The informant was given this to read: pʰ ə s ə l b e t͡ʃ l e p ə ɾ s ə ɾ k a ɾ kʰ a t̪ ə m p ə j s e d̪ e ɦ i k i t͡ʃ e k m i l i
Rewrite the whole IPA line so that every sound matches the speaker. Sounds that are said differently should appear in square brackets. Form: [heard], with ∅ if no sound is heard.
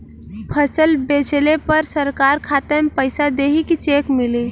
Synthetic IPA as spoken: pʰ ə s ə l b e t͡ʃ l e p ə ɾ s ə ɾ k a ɾ kʰ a t̪ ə m p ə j s [a] d̪ e ɦ i k i t͡ʃ e k m i l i

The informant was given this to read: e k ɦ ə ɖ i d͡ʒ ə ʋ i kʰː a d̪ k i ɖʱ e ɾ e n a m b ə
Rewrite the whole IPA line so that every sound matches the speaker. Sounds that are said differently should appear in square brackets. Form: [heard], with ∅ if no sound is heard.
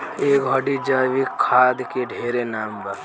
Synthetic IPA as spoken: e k ɦ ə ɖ i d͡ʒ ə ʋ i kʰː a d̪ k [e] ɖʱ e ɾ e n a m b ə

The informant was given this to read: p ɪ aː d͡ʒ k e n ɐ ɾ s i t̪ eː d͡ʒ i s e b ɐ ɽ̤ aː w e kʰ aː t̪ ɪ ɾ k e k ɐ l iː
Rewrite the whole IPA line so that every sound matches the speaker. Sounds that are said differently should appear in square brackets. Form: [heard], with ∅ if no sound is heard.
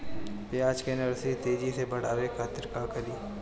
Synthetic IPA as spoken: p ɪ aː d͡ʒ k e n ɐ ɾ s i t̪ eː d͡ʒ i s e b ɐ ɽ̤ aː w e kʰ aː t̪ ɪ ɾ k [a] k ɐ l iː

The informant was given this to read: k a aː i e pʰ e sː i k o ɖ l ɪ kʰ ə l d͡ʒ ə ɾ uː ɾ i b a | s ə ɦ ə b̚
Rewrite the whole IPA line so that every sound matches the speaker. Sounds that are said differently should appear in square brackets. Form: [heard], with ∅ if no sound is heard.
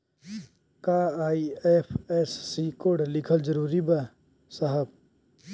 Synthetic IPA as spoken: k a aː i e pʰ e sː i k o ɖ l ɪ kʰ ə l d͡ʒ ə ɾ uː ɾ i b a | s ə ɦ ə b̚

